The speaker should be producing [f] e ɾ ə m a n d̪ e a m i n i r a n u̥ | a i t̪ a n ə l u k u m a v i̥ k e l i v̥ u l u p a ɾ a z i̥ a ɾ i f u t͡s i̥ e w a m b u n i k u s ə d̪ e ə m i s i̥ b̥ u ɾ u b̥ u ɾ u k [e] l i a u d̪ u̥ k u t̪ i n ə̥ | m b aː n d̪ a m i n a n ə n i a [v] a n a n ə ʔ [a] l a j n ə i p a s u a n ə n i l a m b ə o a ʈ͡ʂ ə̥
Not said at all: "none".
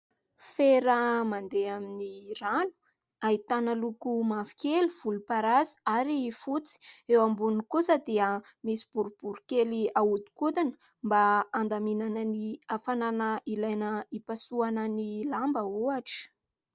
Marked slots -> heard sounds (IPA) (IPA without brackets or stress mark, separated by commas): f, e, f, i